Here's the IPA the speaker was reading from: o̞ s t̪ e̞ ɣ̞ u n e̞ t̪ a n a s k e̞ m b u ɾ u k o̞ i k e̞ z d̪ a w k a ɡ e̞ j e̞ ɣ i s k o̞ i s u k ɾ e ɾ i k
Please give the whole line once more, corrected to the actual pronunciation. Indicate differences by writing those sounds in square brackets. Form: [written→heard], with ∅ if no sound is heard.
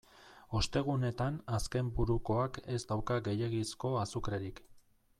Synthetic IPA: o̞ s t̪ e̞ ɣ̞ u n e̞ t̪ a n a s k e̞ m b u ɾ u k o̞ [i→a] k e̞ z d̪ a w k a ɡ e̞ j e̞ ɣ i s k o̞ [i→a] s u k ɾ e ɾ i k